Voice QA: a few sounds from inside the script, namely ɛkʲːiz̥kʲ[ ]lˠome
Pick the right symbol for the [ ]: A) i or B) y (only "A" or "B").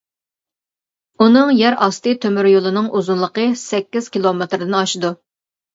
A